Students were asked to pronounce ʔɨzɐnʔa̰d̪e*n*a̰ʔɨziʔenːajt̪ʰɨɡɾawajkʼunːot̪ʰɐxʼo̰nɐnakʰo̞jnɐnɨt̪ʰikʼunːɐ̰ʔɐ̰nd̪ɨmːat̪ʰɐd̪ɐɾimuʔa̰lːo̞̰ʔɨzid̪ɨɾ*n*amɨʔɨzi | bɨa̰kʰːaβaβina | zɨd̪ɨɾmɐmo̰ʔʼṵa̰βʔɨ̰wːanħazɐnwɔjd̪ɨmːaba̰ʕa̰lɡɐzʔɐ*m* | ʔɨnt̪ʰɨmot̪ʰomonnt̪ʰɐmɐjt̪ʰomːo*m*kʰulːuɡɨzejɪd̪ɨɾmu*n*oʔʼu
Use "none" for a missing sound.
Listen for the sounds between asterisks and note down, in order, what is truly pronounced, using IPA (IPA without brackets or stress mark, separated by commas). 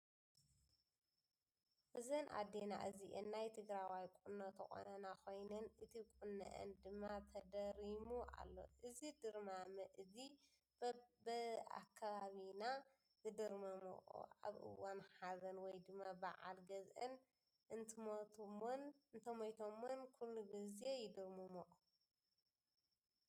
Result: n, m, n, n, m